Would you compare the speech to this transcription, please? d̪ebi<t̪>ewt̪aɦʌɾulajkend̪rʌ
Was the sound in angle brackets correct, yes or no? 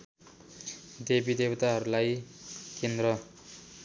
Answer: no